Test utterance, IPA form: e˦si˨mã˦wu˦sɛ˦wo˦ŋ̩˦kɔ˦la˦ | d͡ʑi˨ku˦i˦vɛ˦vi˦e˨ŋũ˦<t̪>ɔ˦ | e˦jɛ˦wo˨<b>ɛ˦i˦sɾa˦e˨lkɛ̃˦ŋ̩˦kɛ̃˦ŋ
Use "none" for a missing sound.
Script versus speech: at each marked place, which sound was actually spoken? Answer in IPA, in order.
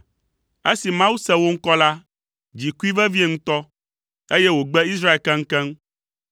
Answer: t̪, ɡ͡b

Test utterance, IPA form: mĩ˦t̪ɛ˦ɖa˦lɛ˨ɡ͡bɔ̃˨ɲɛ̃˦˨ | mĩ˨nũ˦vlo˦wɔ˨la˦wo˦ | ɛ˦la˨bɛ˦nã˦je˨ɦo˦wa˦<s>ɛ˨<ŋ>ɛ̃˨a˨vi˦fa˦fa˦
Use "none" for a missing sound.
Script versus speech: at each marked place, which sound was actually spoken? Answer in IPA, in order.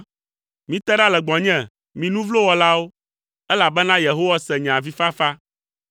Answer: s, ɲ

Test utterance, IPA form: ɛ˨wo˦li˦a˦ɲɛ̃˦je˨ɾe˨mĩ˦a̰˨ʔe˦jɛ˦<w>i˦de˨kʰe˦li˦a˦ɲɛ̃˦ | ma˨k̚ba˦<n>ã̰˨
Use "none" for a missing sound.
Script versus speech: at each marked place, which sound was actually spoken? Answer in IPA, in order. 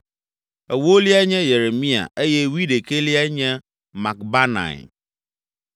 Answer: w, n

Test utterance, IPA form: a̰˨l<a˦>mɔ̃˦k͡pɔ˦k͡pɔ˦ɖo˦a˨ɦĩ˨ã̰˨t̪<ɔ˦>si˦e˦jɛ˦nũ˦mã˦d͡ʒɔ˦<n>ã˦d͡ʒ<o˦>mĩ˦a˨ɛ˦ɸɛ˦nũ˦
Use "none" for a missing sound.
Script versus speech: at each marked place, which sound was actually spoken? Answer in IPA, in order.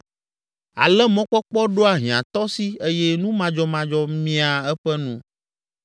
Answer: ɛ˦, ɔ˦, m, ɔ˦

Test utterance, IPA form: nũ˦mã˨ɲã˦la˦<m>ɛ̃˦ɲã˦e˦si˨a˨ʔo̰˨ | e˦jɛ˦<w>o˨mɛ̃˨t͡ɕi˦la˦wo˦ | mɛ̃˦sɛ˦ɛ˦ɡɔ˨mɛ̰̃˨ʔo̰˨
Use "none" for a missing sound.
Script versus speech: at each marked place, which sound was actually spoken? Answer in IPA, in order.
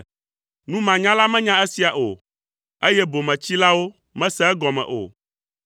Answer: m, b

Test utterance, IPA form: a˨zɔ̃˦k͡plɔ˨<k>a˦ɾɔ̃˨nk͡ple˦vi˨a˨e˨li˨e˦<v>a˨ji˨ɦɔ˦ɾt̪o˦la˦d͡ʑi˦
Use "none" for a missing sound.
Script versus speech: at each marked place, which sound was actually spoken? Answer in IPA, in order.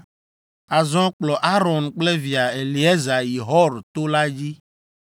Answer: ʔ, z

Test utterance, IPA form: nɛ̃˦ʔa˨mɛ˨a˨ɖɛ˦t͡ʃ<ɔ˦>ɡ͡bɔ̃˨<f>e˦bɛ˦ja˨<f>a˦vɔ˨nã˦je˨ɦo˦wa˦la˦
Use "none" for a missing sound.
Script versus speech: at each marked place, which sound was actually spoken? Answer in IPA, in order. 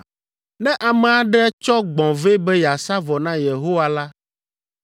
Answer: ɔ˦, v, s

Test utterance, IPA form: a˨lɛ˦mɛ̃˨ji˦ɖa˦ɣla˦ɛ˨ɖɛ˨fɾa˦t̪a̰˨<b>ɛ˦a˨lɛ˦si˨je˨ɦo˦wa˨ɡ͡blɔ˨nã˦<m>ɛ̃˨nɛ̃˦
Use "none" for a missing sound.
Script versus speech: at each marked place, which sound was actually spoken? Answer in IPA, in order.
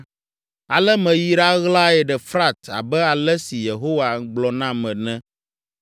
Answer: b, m

